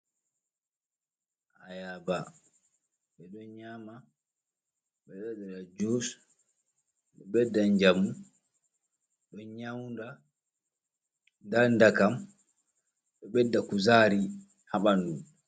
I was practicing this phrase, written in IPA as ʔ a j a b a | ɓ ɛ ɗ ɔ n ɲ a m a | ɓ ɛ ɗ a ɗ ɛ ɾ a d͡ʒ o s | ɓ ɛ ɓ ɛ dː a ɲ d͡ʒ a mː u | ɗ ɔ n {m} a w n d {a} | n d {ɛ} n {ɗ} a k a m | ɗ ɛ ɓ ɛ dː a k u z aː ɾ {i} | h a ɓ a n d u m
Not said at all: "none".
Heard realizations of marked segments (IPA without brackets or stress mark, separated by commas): ɲ, a, a, d, i